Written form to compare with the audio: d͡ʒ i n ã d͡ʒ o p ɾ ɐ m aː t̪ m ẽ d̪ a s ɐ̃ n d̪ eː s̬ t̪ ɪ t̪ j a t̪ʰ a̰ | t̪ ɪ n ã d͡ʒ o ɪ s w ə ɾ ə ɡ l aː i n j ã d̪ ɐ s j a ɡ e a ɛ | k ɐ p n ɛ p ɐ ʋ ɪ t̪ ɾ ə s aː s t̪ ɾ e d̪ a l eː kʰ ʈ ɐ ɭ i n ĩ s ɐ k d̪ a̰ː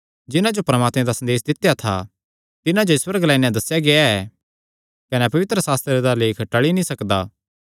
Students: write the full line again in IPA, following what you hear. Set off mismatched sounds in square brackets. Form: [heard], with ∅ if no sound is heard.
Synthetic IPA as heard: d͡ʒ [ɪ] n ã d͡ʒ o p ɾ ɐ m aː t̪ m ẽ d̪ a s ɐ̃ n d̪ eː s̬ [d̪] ɪ t̪ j a t̪ʰ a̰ | t̪ ɪ n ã d͡ʒ o ɪ s w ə ɾ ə ɡ l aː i n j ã d̪ ɐ s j a ɡ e a ɛ | k ɐ [∅] n ɛ p ɐ ʋ ɪ t̪ ɾ ə s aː s t̪ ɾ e d̪ a l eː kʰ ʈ ɐ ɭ i n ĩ s ɐ k d̪ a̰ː